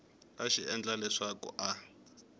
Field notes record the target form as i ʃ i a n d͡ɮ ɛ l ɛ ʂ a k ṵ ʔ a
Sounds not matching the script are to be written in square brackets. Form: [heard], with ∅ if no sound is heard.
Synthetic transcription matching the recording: [a] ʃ i [ɛ] n d͡ɮ [a] l ɛ ʂ a k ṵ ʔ a